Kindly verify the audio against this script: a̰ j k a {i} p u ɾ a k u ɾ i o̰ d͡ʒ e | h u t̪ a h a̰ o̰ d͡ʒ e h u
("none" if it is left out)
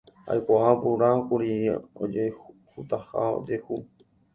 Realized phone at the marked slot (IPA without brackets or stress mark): a